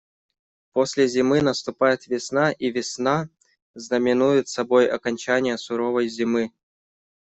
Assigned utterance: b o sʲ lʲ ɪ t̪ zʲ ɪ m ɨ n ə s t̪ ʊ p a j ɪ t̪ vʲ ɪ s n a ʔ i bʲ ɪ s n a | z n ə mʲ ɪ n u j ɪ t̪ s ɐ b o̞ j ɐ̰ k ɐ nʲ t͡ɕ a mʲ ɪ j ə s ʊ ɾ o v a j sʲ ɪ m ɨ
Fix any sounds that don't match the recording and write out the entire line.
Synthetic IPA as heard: p o sʲ lʲ ɪ zʲ ɪ m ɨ n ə s t̪ ʊ p a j ɪ t̪ vʲ ɪ s n a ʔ i vʲ ɪ s n a | z n ə mʲ ɪ n u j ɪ t̪ s ɐ b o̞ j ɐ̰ k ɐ nʲ t͡ɕ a nʲ ɪ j ə s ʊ ɾ o v ə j zʲ ɪ m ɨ